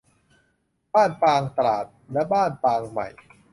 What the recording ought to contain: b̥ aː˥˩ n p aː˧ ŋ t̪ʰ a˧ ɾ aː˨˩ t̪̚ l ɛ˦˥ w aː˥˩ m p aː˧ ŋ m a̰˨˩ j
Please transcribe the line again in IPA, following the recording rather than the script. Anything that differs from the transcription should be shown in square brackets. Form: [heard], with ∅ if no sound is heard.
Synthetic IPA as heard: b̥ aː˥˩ n p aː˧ ŋ [t̪] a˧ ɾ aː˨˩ t̪̚ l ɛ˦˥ [b] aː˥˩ [n] p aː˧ ŋ m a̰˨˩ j